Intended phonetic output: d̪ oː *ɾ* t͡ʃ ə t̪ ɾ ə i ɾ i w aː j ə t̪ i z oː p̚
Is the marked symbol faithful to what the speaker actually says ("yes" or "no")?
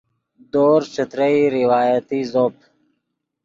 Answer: yes